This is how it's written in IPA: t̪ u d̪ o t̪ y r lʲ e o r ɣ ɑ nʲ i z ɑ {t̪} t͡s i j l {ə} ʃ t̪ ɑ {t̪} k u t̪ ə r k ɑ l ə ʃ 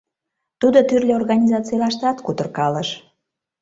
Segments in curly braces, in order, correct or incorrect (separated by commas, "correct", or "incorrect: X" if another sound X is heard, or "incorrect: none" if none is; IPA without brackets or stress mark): incorrect: none, incorrect: ɑ, correct